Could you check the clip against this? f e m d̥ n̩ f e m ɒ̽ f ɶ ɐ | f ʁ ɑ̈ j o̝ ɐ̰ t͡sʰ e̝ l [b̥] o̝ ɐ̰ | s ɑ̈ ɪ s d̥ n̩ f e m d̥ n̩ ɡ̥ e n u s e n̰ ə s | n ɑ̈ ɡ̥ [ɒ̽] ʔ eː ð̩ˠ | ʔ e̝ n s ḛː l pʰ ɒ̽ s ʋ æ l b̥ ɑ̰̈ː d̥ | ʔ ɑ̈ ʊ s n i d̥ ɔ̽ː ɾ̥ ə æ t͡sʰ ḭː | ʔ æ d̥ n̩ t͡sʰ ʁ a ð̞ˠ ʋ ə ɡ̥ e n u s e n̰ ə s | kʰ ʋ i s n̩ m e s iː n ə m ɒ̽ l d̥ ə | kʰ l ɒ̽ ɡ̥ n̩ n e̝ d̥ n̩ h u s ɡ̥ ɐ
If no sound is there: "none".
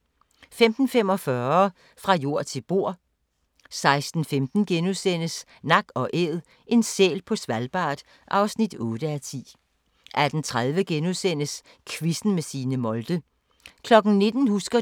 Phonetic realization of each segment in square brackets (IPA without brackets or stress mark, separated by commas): b̥, ɒ̽